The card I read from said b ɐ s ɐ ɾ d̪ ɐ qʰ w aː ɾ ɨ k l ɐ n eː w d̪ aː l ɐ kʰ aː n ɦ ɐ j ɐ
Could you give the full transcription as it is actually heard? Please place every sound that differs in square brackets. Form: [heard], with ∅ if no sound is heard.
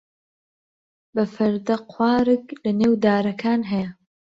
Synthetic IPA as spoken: b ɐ [f] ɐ ɾ d̪ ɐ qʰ w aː ɾ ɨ k l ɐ n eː w d̪ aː [ɾ] ɐ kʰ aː n ɦ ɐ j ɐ